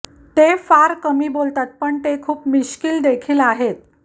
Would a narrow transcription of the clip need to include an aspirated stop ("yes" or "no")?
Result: yes